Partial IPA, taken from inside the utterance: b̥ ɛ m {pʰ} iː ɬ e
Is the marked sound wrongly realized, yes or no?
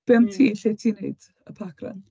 yes